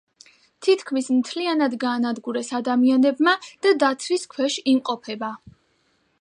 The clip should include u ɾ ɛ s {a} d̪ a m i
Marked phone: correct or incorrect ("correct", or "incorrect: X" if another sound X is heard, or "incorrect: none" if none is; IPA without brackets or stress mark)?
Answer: correct